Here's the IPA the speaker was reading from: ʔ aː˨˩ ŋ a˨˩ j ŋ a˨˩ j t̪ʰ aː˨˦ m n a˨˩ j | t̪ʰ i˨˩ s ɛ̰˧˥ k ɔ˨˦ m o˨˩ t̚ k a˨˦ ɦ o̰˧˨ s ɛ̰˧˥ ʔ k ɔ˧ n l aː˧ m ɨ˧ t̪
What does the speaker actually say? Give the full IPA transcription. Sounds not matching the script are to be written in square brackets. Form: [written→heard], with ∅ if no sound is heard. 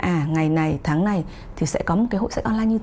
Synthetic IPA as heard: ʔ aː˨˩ ŋ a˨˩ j [ŋ→n] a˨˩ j t̪ʰ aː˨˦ [m→ŋ] n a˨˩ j | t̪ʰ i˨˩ s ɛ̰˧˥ k ɔ˨˦ m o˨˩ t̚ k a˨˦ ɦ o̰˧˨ s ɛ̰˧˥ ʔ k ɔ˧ n l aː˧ [m→ɲ] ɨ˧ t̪